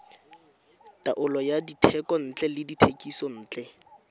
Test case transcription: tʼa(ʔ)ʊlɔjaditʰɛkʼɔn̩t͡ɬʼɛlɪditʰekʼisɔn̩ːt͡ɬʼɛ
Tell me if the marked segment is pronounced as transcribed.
yes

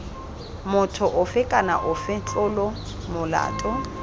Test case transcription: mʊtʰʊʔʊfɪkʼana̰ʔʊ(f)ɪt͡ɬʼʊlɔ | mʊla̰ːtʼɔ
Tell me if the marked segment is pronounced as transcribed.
yes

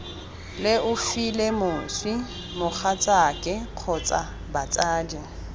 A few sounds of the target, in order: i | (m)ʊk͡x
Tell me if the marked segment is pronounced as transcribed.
yes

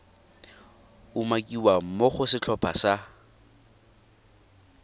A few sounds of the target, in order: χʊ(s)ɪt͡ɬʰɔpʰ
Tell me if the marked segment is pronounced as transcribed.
yes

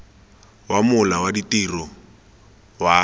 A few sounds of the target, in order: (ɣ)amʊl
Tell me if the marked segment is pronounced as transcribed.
no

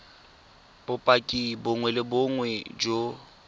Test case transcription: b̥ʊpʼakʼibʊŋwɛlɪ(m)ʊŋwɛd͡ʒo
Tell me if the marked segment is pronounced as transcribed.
no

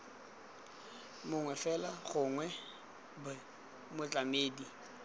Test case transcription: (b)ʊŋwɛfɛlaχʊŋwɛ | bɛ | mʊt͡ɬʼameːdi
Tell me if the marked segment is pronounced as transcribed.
no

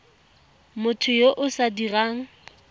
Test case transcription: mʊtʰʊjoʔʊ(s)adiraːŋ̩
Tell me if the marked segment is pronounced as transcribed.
yes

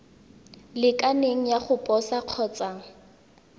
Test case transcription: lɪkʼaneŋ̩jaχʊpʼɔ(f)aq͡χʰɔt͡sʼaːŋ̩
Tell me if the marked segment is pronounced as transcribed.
no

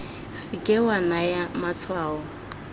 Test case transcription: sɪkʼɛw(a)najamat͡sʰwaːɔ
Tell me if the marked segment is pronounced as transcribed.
yes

